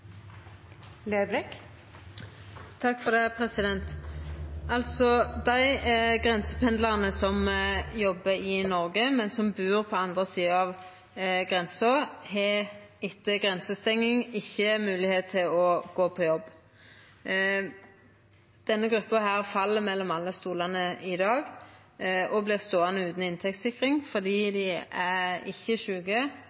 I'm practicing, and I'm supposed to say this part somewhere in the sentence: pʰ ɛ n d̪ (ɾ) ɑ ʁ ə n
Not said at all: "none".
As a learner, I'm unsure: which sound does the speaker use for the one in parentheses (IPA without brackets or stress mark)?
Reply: l